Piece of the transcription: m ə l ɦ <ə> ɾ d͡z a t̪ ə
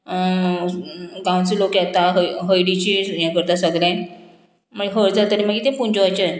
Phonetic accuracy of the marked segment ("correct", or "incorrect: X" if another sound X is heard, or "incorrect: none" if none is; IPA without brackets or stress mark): correct